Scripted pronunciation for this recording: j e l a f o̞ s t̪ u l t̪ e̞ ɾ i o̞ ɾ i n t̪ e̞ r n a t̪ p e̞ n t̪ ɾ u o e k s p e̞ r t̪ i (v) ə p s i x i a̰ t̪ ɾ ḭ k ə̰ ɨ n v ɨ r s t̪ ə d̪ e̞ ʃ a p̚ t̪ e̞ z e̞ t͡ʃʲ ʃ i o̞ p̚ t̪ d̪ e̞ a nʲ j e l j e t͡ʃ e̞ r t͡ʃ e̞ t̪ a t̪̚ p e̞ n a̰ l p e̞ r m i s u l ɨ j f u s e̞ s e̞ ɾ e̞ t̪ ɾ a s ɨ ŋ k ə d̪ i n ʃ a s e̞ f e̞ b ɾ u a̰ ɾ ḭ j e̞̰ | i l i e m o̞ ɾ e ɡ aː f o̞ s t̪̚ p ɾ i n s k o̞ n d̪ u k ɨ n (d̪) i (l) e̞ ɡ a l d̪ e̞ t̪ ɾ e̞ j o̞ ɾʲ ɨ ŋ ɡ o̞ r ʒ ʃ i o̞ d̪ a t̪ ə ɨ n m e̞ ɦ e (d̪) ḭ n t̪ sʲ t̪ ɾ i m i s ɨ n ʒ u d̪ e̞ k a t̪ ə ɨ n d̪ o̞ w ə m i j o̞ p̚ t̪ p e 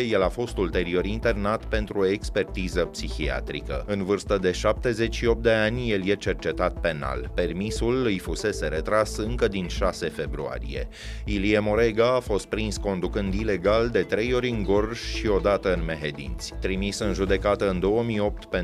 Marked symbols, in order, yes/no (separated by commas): no, yes, yes, yes